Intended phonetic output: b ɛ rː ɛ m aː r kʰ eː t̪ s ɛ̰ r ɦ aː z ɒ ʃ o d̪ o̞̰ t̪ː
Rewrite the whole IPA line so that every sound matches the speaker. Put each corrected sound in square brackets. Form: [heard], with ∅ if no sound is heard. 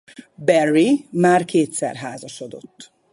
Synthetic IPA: b ɛ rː [i] m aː r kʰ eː t̪ s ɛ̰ r ɦ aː z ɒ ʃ o d̪ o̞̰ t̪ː